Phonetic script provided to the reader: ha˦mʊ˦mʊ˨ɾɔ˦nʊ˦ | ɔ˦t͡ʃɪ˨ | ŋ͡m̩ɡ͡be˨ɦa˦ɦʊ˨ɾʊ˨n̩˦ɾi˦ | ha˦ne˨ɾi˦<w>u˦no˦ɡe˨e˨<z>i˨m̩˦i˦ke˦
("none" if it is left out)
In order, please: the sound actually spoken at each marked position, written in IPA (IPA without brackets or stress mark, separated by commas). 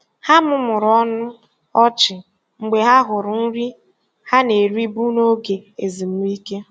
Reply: b, z